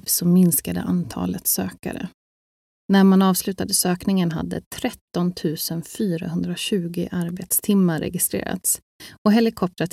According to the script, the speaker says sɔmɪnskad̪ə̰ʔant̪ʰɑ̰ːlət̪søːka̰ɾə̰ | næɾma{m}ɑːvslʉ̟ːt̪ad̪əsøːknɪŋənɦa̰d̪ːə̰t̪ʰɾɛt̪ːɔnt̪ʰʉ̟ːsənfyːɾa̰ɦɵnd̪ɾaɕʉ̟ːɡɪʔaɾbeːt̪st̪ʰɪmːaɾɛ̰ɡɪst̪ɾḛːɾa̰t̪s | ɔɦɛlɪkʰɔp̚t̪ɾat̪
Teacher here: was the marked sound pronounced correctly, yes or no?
no